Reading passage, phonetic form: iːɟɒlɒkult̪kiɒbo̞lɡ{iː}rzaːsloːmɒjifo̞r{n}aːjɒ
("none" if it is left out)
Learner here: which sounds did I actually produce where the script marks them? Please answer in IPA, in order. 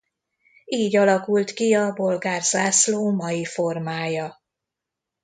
aː, m

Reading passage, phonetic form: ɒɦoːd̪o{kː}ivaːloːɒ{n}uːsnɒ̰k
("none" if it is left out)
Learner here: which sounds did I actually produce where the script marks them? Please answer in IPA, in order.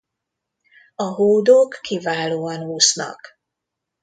kː, n

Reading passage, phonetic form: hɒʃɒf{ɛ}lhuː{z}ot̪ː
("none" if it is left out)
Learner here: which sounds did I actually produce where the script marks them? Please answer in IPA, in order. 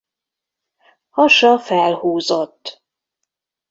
ɛ, z

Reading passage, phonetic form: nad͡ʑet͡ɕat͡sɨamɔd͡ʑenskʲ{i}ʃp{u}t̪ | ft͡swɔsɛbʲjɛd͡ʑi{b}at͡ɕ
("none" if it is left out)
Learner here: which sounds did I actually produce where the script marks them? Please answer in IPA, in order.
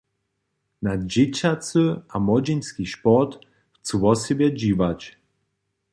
i, ɔ, v

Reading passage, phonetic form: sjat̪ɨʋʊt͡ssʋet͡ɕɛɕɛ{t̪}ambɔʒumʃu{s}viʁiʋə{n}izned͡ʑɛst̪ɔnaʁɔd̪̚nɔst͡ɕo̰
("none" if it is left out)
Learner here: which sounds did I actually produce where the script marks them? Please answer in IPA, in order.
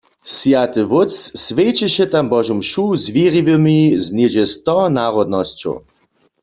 t̪, z, m

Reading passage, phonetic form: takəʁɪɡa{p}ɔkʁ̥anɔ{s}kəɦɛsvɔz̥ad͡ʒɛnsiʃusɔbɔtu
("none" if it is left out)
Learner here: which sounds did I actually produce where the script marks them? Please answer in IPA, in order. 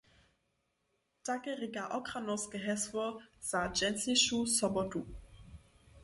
ʔ, s

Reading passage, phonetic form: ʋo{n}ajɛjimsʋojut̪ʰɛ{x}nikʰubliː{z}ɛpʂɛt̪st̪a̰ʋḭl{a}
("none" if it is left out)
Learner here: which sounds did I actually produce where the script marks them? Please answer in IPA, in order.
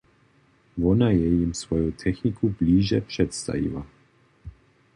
n, x, ʒ, a

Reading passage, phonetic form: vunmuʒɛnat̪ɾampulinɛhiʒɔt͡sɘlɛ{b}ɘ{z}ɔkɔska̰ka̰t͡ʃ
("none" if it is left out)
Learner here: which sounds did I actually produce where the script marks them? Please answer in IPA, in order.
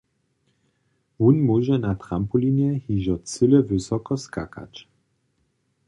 v, s

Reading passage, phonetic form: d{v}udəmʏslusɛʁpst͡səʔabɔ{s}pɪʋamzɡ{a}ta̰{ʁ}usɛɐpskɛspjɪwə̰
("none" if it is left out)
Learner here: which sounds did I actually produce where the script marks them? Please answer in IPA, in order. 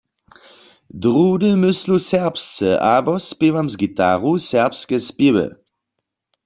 ʁ, s, i, ʁ

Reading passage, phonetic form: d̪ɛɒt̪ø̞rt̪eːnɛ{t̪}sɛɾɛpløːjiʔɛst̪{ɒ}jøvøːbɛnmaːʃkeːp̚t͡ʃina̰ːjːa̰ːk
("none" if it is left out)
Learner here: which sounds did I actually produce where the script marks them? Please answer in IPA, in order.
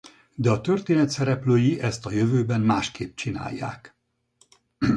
t̪, ɒ

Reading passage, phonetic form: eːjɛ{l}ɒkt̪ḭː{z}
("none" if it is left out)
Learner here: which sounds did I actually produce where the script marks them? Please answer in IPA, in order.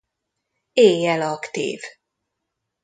l, v

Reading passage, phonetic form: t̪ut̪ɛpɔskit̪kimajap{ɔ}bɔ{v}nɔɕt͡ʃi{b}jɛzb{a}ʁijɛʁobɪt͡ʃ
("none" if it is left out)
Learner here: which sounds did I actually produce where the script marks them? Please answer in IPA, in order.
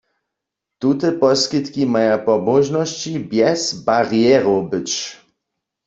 ɔ, ʒ, b, a

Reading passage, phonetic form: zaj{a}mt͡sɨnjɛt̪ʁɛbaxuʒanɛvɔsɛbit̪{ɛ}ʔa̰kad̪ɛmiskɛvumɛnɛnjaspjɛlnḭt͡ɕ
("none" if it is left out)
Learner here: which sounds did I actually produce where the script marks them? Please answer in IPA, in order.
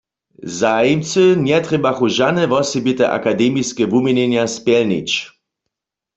i, ɛ

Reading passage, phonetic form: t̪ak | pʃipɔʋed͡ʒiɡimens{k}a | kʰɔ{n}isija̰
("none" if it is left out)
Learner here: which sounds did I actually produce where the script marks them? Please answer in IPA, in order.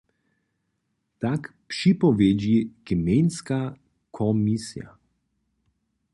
k, m

